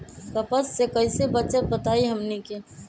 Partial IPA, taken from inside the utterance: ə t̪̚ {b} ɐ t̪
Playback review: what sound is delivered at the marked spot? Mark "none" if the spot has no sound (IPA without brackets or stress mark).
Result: b